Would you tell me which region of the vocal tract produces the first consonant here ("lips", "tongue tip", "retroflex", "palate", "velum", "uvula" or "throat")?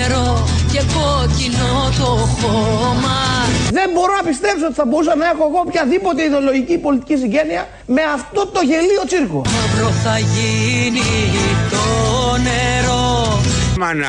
tongue tip